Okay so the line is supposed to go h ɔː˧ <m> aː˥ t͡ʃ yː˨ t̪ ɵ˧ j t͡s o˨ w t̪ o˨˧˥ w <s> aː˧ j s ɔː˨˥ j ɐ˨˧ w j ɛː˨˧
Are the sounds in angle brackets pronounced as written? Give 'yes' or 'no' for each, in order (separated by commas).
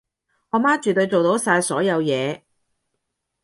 yes, yes